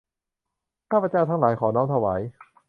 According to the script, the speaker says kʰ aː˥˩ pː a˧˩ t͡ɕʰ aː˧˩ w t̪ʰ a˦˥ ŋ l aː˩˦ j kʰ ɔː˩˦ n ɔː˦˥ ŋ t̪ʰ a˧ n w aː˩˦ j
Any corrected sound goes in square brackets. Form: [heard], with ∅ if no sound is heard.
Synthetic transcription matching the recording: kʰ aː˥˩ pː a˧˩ [t͡ɕ] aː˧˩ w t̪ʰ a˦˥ ŋ l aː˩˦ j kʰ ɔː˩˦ n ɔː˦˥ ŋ t̪ʰ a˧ [∅] w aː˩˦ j